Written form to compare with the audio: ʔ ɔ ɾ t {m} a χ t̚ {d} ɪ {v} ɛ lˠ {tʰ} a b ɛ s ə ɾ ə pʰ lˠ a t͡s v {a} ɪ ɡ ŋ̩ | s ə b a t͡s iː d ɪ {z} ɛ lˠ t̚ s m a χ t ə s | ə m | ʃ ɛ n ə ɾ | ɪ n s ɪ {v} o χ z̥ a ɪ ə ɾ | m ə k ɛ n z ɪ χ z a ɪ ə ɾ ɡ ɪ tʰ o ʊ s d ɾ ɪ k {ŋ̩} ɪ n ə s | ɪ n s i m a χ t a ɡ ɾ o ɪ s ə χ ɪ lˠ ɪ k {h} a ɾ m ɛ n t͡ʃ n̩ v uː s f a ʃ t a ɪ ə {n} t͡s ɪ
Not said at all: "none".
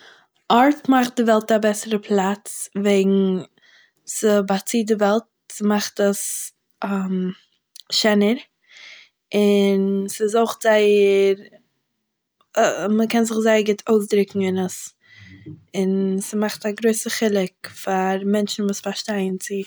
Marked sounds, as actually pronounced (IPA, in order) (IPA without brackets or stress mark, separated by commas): m, d, v, t, e, v, z, ŋ̩, f, n